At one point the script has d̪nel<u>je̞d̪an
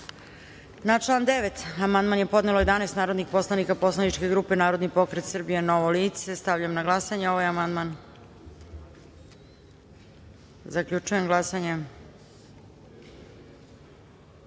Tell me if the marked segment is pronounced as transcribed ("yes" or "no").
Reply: no